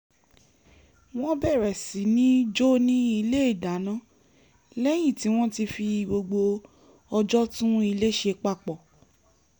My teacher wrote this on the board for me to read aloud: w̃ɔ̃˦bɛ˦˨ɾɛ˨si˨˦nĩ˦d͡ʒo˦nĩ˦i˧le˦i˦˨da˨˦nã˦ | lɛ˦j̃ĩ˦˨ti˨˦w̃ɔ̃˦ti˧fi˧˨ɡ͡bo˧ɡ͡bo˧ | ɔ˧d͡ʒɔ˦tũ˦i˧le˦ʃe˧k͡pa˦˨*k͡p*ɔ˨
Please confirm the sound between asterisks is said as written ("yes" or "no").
yes